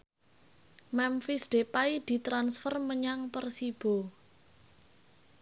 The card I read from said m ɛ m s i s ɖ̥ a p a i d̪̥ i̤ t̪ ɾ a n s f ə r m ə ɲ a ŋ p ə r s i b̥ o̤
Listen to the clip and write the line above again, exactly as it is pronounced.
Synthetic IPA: m ɛ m f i s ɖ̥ e p a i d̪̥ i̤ t̪ ɾ a n s f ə r m ə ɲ a ŋ p ə r s i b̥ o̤

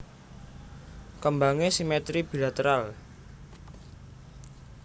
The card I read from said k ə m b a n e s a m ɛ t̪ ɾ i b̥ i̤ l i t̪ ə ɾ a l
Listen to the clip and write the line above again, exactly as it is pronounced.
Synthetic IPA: k ə m b a ŋ e s i m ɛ t̪ ɾ i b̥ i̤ l a t̪ ə ɾ a l

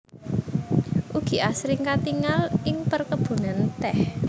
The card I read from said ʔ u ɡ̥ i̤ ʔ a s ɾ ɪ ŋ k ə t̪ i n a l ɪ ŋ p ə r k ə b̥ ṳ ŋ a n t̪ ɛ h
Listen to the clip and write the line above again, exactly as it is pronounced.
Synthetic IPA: ʔ u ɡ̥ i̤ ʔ a s ɾ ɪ ŋ k a t̪ i ŋ a l ɪ ŋ p ə r k ə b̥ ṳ n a n t̪ ɛ h

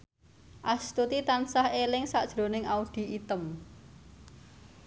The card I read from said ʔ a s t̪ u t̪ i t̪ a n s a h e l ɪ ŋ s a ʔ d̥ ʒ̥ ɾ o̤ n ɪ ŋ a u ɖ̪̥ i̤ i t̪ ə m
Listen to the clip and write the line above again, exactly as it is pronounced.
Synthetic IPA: ʔ a s t̪ u t̪ i t̪ a n s a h e l ɪ ŋ s a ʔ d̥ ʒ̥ ɾ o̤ n ɪ ŋ a u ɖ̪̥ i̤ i t̪ ə m

